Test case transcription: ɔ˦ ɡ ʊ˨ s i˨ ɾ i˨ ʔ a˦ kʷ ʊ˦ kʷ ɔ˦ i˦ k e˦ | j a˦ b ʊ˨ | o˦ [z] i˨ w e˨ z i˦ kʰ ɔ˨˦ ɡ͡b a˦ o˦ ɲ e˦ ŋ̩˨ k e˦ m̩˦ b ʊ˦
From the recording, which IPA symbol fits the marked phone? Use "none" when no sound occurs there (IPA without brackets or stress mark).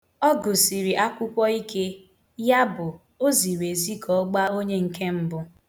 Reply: z